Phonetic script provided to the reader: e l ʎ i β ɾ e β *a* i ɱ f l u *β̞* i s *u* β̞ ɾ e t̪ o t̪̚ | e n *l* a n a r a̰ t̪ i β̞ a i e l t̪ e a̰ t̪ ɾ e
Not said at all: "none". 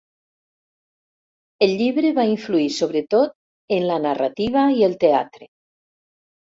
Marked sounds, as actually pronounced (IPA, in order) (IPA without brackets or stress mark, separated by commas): a, none, o, l